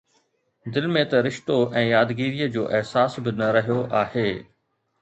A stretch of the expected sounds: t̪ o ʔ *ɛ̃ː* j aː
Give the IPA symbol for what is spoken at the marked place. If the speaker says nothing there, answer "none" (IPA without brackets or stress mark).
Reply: ɛ̃ː